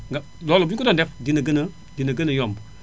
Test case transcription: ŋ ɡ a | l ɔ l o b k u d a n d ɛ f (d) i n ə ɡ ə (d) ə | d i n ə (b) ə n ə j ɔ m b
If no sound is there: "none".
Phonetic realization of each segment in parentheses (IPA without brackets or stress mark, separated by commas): d, n, ɡ